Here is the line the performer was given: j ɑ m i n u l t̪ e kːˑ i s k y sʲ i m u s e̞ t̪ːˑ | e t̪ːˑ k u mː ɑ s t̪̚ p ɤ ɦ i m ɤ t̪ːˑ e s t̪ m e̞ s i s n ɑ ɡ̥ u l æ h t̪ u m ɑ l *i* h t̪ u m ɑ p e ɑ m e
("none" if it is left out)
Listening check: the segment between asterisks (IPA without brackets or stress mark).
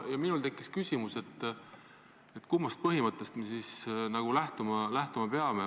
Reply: æ